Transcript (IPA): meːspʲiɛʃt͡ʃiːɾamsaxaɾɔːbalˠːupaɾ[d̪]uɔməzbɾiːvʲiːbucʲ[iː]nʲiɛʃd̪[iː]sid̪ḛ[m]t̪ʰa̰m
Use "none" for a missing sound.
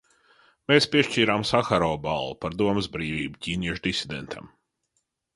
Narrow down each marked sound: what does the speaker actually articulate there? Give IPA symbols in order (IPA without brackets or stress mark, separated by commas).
d̪, iː, i, n